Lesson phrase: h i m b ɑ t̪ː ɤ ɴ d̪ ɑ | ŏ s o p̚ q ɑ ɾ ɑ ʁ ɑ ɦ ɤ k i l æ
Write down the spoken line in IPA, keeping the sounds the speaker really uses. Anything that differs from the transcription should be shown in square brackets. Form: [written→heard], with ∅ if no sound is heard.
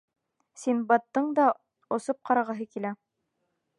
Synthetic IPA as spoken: [h→s] i [m→n] b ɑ t̪ː ɤ ɴ d̪ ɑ | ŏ s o p̚ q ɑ ɾ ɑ ʁ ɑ ɦ ɤ k i l æ